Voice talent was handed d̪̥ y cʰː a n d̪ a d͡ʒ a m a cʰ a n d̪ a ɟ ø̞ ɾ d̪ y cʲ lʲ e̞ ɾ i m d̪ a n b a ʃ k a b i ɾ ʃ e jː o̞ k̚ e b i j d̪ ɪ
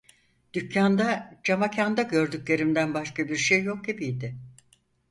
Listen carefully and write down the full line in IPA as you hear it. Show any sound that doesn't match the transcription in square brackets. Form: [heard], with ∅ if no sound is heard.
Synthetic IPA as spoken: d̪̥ y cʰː a n d̪ a d͡ʒ a m a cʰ a n d̪ a ɟ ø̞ ɾ d̪ y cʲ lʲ e̞ ɾ i m d̪ [æ] n b a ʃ k a b i ɾ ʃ e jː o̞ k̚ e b i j d̪ ɪ